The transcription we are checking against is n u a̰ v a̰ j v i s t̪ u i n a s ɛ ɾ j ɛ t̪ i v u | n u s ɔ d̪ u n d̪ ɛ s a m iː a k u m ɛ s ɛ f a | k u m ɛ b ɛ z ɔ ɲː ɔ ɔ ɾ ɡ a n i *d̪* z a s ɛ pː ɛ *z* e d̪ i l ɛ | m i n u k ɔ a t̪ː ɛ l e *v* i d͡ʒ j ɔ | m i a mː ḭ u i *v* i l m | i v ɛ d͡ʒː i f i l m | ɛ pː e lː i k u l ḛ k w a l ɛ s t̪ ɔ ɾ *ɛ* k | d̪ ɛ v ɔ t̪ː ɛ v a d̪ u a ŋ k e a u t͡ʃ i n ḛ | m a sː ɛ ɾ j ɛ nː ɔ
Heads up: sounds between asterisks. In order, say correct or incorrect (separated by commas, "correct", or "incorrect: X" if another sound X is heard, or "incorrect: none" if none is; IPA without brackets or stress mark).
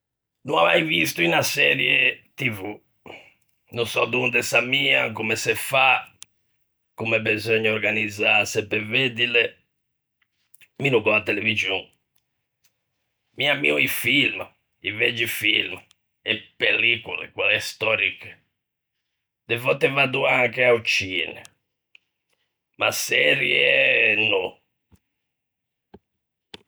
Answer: correct, incorrect: v, correct, incorrect: f, incorrect: i